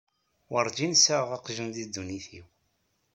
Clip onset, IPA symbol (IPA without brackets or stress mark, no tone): w